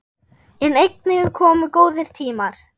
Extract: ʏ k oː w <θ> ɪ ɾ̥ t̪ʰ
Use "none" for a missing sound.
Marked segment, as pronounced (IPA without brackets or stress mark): ð